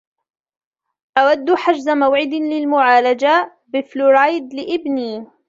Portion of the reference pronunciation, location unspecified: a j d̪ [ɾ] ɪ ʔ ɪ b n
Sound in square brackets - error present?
yes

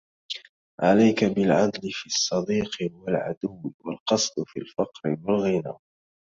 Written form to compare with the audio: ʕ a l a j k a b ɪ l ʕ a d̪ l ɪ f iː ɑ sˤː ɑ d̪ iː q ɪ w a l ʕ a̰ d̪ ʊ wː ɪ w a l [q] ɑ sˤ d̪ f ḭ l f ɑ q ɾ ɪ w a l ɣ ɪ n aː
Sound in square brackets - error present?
no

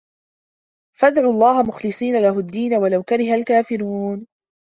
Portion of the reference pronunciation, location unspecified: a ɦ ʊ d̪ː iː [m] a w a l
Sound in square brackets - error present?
yes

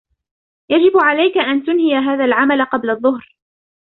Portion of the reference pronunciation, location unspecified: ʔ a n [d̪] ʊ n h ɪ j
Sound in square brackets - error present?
yes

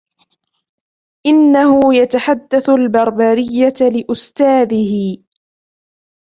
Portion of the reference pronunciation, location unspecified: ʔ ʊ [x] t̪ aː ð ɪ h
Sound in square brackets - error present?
yes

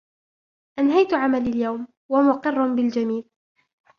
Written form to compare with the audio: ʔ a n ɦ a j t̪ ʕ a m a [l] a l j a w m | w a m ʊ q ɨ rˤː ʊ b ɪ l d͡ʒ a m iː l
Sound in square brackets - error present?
no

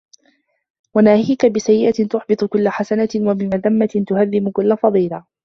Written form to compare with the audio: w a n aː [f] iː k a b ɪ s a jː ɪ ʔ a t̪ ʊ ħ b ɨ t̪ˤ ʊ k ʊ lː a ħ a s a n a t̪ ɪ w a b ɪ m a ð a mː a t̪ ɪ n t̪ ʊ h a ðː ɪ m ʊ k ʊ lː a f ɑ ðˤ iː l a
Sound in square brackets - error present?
yes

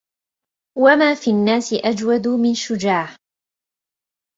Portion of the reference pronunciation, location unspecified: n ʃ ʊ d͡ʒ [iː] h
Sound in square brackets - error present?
yes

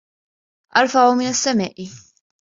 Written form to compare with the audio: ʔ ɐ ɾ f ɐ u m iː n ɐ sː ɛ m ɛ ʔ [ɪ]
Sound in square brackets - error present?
yes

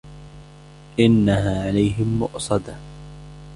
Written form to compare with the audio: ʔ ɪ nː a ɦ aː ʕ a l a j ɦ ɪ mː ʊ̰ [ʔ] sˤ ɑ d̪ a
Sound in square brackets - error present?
no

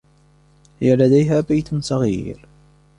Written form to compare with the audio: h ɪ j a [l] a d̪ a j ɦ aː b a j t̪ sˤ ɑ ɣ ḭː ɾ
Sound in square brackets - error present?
no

